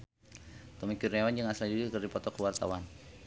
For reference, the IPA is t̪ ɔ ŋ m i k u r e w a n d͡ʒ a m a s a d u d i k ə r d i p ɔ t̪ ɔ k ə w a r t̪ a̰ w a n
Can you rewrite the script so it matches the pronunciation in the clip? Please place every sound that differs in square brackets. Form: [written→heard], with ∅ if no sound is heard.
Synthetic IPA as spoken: t̪ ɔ [ŋ→∅] m i k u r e w a n d͡ʒ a [m→ŋ] a s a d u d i k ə r d i p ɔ t̪ ɔ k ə w a r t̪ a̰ w a n

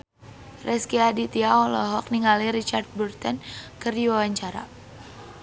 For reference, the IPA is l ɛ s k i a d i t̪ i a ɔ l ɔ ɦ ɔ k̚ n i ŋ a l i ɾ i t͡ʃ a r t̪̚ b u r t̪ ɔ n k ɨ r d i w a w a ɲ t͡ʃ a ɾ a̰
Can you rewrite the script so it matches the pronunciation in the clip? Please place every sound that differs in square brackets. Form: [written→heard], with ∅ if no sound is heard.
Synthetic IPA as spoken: [l→r] ɛ s k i a d i t̪ i a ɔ l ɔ ɦ ɔ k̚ n i ŋ a l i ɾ i t͡ʃ a r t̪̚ b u r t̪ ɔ n k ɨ r d i w a w a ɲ t͡ʃ a ɾ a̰

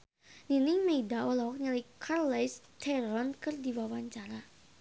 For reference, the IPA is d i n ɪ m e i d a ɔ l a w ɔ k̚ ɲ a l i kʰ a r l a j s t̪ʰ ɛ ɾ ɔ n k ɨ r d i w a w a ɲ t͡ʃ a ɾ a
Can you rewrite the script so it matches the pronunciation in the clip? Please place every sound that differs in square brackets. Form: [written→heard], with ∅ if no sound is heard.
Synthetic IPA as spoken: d i n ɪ m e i d a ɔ l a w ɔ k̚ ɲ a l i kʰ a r l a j s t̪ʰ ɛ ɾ ɔ n k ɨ r d i w a w a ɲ t͡ʃ a ɾ a

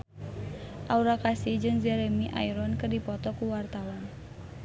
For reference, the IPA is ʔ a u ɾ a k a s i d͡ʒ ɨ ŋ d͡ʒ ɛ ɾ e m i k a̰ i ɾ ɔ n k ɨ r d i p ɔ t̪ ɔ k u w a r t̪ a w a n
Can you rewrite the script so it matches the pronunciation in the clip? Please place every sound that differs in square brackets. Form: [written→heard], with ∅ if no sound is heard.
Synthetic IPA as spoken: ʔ a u ɾ a k a s i d͡ʒ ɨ ŋ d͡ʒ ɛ ɾ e m i [k→ʔ] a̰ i ɾ ɔ n k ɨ r d i p ɔ t̪ ɔ k u w a r t̪ a w a n

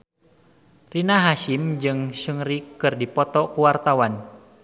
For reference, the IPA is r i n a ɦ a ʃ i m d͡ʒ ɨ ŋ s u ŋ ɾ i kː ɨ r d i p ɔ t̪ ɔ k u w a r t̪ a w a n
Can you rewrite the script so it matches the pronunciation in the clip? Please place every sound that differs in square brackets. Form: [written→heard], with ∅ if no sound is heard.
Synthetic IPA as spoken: r i n a ɦ a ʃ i m d͡ʒ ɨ ŋ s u ŋ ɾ i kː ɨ r d i p ɔ t̪ ɔ k u w a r t̪ a w a n

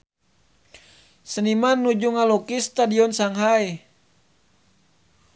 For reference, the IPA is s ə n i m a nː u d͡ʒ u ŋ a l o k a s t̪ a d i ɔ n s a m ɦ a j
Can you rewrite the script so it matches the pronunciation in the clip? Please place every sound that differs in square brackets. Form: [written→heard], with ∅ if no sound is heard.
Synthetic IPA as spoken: s ə n i m a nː u d͡ʒ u ŋ a l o k [a→i] s t̪ a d i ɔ n s a [m→ŋ] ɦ a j

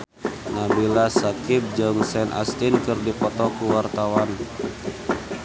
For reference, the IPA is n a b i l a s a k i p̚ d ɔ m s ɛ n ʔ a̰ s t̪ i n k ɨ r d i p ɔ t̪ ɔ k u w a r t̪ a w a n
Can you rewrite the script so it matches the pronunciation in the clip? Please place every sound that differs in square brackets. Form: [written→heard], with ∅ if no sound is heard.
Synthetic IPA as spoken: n a b i l a s a k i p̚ [d→d͡ʒ] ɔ [m→ŋ] s ɛ n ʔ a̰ s t̪ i n k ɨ r d i p ɔ t̪ ɔ k u w a r t̪ a w a n

